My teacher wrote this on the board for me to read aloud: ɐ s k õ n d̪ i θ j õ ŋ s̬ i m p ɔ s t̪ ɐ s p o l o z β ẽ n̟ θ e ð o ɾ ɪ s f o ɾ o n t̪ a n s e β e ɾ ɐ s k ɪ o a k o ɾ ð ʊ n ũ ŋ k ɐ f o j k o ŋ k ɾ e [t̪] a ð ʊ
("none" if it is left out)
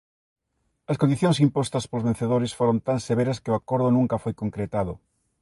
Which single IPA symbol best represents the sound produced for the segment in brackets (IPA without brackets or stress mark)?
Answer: t̪